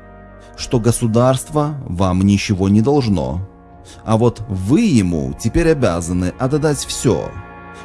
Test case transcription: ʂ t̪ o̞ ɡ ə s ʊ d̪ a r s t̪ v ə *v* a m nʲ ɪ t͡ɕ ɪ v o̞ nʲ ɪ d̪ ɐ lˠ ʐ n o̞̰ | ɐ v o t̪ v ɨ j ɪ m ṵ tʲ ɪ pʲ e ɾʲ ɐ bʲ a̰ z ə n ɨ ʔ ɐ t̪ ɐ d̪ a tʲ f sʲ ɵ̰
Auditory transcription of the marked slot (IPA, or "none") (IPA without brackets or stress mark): v